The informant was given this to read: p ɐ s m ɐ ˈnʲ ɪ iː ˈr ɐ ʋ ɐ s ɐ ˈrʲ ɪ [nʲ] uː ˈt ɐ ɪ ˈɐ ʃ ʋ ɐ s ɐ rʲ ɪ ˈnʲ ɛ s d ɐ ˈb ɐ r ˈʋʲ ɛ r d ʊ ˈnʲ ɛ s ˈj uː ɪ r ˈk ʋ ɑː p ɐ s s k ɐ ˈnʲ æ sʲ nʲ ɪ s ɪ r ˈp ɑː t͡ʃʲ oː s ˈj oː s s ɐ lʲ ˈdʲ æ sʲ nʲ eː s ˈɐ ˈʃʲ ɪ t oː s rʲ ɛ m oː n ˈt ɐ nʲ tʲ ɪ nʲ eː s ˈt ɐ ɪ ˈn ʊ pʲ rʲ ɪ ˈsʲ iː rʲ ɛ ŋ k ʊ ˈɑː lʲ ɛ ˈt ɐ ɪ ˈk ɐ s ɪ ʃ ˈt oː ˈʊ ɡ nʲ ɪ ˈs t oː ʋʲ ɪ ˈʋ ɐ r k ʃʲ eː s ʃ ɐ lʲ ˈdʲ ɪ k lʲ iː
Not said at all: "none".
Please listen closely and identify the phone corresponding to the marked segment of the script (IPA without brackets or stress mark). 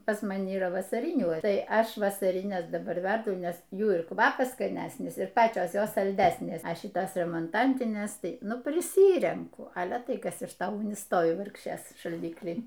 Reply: nʲ